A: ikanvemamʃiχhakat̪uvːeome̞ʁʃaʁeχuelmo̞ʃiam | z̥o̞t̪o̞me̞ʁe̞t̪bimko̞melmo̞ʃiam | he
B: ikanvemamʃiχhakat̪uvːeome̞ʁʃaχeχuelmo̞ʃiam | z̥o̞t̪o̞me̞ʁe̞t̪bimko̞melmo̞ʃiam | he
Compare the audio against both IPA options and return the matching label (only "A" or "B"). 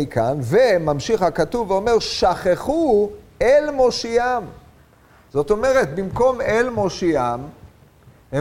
B